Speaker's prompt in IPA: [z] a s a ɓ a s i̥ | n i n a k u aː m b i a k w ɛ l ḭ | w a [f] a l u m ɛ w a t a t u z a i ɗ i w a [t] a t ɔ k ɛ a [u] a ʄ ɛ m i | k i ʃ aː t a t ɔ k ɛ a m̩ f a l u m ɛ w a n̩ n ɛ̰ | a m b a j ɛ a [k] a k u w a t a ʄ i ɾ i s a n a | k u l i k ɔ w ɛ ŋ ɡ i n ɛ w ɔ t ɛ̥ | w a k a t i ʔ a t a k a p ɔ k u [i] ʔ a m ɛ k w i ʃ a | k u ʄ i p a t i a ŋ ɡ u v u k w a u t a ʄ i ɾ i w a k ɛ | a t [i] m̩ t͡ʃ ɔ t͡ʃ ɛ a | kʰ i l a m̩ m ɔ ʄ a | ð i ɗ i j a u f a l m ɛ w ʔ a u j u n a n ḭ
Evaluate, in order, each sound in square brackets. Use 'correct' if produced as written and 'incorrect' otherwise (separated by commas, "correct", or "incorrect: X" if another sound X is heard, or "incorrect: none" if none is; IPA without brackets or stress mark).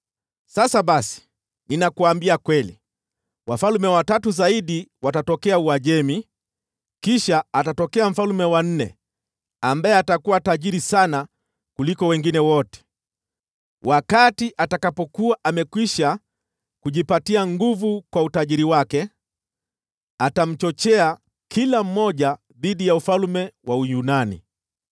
incorrect: s, correct, correct, correct, incorrect: t, incorrect: a, incorrect: a